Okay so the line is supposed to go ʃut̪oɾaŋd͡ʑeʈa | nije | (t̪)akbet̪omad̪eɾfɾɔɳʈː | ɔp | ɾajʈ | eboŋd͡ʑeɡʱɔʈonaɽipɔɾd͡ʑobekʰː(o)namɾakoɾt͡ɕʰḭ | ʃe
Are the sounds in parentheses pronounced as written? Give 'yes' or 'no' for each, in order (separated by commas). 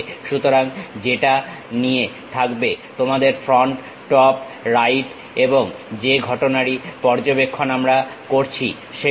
no, yes